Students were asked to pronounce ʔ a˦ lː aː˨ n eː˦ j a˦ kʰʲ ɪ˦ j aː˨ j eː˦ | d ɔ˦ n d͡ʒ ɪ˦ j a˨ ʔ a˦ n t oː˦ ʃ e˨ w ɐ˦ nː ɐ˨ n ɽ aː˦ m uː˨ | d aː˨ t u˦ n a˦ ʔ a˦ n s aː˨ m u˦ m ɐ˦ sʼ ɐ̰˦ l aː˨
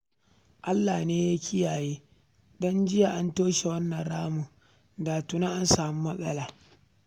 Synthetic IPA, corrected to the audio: ʔ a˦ lː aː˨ n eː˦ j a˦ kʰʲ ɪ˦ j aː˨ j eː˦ | d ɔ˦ n d͡ʒ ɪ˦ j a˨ ʔ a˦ n t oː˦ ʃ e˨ w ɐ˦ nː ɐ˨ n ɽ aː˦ m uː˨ | d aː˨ t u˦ n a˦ ʔ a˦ n s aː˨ m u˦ m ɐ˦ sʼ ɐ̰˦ l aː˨

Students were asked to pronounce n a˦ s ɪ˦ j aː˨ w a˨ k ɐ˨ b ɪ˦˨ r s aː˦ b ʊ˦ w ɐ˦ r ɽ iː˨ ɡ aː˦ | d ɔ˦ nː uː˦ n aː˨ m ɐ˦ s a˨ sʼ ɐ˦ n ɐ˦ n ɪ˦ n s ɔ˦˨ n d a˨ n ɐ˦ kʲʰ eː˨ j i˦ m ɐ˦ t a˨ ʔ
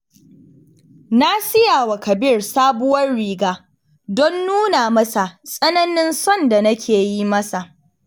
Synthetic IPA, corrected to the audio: n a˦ s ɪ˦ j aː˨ w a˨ k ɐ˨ b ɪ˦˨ r s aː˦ b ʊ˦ w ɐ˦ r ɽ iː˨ ɡ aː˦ | d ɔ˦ nː uː˦ n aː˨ m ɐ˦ s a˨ sʼ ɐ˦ n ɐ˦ n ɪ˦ n s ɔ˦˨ n d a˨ n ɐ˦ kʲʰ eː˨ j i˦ m ɐ˦ s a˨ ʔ

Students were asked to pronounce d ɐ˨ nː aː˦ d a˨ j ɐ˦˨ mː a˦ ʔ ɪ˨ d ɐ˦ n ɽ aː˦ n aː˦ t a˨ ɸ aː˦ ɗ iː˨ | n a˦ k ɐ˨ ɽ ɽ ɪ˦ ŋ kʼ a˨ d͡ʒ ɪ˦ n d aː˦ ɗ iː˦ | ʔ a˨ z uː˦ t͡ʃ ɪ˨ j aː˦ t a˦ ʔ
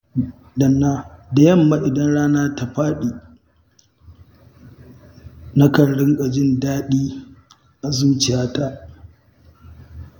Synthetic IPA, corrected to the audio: d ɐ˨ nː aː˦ d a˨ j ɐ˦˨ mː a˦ ʔ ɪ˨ d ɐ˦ n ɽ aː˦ n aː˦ t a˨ ɸ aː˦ ɗ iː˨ | n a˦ k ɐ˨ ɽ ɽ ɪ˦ ŋ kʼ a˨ d͡ʒ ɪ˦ n d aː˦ ɗ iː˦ | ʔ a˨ z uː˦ t͡ʃ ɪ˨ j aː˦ t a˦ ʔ

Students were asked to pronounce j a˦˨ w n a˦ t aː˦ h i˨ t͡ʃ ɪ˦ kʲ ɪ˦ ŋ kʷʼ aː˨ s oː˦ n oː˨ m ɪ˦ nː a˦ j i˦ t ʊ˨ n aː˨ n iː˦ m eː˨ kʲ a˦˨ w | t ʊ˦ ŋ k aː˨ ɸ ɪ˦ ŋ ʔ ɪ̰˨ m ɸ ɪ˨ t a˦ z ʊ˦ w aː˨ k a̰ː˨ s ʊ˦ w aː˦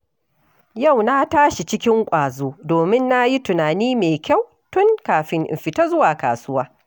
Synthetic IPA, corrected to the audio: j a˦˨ w n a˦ t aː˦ ʃ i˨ t͡ʃ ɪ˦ kʲ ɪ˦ ŋ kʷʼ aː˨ z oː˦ d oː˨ m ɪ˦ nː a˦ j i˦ t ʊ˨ n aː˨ n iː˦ m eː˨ kʲ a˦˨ w | t ʊ˦ ŋ k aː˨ ɸ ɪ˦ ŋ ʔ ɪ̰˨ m ɸ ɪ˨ t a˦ z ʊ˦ w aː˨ k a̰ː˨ s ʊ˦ w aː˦

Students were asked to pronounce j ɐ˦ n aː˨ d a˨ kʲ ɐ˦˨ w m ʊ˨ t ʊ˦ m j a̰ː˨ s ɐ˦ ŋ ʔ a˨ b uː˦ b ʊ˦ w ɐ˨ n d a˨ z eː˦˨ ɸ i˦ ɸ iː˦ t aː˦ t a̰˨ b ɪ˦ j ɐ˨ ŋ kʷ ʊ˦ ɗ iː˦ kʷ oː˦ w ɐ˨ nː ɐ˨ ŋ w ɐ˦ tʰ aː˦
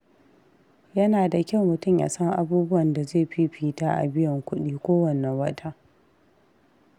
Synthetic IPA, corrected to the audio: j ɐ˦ n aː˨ d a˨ kʲ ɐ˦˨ w m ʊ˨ t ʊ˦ m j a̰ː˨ s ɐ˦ ŋ ʔ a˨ b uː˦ b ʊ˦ w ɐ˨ n d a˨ z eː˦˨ ɸ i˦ ɸ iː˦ t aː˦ ʔ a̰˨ b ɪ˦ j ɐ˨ ŋ kʷ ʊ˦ ɗ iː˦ kʷ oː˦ w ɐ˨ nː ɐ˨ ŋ w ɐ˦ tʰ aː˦

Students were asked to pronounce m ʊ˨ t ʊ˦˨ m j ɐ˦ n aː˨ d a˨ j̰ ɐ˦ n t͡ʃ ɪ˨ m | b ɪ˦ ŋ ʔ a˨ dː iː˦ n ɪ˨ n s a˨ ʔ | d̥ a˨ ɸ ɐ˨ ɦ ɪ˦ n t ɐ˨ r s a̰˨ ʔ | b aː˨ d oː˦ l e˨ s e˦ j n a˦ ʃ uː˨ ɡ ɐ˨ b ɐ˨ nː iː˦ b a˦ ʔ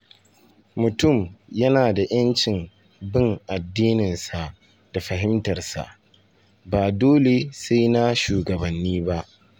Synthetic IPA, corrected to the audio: m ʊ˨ t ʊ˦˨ m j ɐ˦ n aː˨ d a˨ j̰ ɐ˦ n t͡ʃ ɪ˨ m | b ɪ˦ ŋ ʔ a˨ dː iː˦ n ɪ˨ n s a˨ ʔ | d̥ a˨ ɸ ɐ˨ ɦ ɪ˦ m t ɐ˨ r s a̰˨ ʔ | b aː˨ d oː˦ l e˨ s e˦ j n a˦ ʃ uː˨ ɡ ɐ˨ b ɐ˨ nː iː˦ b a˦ ʔ

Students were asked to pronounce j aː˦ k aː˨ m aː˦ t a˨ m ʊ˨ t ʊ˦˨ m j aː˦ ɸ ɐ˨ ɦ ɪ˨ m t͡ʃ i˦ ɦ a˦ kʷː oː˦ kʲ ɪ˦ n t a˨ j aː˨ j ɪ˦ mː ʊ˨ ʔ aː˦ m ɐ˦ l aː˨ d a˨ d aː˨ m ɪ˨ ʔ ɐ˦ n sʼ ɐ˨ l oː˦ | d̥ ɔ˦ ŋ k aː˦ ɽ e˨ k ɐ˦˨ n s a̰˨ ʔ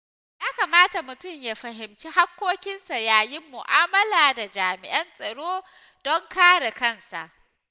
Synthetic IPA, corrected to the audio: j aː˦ k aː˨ m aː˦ t a˨ m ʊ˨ t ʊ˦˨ m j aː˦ ɸ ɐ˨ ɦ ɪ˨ m t͡ʃ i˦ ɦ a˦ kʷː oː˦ kʲ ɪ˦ n s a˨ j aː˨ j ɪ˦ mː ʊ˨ ʔ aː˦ m ɐ˦ l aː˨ d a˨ d͡ʒ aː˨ m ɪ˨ ʔ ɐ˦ n sʼ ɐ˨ ɽ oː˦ | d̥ ɔ˦ ŋ k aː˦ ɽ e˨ k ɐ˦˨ n s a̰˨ ʔ

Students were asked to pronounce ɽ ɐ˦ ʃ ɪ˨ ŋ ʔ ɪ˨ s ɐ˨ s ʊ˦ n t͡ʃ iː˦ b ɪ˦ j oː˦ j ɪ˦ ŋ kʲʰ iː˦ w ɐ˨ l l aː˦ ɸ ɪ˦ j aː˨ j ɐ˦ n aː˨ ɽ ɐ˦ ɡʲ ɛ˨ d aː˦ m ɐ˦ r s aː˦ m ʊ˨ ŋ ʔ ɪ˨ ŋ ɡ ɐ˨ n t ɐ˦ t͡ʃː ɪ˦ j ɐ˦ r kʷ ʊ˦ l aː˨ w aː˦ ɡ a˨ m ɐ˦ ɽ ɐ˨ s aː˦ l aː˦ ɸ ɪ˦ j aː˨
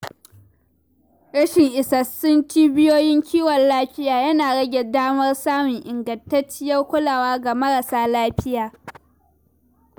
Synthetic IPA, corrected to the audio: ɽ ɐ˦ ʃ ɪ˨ ŋ ʔ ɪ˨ s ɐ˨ s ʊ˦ n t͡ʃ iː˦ b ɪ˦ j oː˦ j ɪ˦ ŋ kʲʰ iː˦ w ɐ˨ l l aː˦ ɸ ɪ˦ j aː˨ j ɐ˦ n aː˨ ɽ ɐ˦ ɡʲ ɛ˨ d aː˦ m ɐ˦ r s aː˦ m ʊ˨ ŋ ʔ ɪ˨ ŋ ɡ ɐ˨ n t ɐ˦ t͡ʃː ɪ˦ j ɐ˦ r kʷ ʊ˦ l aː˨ w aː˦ ɡ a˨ m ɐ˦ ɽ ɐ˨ s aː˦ l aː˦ ɸ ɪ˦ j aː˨

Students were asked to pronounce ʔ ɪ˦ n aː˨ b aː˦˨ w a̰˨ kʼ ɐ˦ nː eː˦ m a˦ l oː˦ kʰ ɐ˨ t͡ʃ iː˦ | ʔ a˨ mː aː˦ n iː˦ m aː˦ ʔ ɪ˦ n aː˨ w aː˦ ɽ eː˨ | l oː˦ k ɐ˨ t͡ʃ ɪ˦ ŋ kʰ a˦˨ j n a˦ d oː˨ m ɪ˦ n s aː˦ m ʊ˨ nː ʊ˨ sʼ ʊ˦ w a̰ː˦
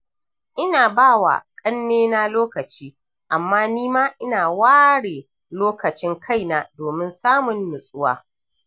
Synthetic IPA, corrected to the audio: ʔ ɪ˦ n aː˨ b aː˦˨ w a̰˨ kʼ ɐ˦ nː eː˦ n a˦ l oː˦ k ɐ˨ t͡ʃ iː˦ | ʔ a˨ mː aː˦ n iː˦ m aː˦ ʔ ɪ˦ n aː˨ w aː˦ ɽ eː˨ | l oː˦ k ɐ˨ t͡ʃ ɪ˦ ŋ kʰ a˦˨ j n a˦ d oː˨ m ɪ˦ n s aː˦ m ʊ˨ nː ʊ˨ sʼ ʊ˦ w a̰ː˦

